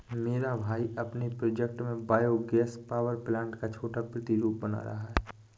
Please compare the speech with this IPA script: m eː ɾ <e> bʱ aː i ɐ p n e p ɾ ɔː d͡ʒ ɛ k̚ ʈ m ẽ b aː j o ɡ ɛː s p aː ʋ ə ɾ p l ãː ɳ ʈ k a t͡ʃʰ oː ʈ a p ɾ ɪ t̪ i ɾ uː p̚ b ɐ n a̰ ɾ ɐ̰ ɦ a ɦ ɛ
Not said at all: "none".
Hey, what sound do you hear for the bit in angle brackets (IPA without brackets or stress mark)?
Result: a